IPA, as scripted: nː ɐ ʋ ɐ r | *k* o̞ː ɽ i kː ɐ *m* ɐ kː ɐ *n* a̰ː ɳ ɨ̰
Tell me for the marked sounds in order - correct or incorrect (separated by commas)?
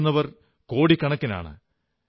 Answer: correct, incorrect, correct